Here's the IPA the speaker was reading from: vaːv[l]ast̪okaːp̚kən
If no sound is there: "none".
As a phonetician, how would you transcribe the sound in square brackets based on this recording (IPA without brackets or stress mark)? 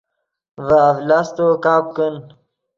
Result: l